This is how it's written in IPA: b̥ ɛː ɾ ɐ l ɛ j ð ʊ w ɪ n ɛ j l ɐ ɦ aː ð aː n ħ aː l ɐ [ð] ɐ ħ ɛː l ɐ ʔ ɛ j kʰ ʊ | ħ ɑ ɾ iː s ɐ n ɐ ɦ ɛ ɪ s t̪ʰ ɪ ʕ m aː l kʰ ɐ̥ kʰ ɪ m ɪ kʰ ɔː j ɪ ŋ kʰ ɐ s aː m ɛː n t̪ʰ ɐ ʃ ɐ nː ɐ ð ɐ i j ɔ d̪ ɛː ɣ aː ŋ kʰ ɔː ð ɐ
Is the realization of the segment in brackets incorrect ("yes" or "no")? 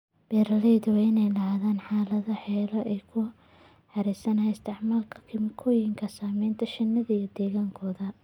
no